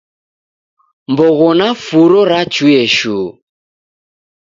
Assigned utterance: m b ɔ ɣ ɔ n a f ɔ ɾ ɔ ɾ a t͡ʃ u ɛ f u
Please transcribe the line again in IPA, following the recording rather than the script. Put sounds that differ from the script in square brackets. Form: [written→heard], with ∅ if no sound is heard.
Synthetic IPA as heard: m b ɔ ɣ ɔ n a f [ɔ→u] ɾ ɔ ɾ a t͡ʃ u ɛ [f→ʃ] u